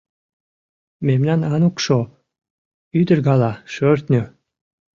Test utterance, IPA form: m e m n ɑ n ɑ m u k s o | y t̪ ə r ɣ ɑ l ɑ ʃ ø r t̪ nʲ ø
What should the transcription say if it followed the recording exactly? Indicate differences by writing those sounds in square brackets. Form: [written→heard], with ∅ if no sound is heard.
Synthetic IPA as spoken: m e m n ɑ n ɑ [m→n] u k [s→ʃ] o | y [t̪→d̪] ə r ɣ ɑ l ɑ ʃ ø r t̪ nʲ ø